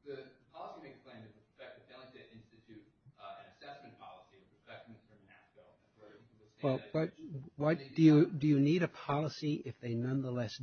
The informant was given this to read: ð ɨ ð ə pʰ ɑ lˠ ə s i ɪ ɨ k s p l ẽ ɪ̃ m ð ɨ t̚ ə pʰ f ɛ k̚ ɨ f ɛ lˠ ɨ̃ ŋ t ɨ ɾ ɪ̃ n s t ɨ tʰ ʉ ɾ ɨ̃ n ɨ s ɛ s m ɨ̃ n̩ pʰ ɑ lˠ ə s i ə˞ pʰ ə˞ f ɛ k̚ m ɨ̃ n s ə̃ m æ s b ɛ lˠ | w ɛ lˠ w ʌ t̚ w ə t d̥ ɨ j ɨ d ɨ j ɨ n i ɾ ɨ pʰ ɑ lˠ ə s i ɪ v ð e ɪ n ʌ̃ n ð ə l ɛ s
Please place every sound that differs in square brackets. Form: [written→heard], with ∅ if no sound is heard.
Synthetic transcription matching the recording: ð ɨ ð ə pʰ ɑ lˠ ə s i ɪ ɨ k s p l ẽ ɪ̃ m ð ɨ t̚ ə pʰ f ɛ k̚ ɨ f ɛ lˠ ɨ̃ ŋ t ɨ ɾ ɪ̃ n s t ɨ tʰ ʉ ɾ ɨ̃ n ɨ s ɛ s m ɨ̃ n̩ pʰ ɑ lˠ ə s i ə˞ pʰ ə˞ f ɛ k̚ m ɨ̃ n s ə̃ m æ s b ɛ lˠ | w ɛ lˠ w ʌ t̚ w [ə→ʌ] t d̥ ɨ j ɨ d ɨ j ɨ n i ɾ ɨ pʰ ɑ lˠ ə s i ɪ [v→f] ð e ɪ n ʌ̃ n ð ə l ɛ s

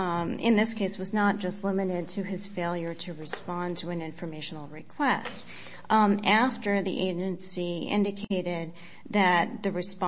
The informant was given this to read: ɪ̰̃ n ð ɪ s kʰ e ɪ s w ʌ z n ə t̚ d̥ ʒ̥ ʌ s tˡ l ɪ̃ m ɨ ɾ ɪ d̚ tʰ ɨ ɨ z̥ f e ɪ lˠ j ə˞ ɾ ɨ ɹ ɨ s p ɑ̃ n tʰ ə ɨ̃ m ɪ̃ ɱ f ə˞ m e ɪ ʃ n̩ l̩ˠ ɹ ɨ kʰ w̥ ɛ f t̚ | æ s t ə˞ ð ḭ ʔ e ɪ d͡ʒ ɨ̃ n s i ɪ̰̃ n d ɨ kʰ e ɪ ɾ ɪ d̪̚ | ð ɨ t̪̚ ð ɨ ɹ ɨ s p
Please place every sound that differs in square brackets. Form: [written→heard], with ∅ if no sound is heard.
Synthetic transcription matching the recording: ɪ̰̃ n ð ɪ s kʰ e ɪ s w ʌ z n ə t̚ d̥ ʒ̥ ʌ s tˡ l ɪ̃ m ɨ ɾ ɪ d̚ tʰ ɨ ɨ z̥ f e ɪ lˠ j ə˞ ɾ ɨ ɹ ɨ s p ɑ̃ n tʰ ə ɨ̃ [m→n] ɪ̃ ɱ f ə˞ m e ɪ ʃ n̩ l̩ˠ ɹ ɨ kʰ w̥ ɛ [f→s] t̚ | æ [s→f] t ə˞ ð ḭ ʔ e ɪ d͡ʒ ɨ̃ n s i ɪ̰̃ n d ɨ kʰ e ɪ ɾ ɪ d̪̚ | ð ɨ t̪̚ ð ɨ ɹ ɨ s p

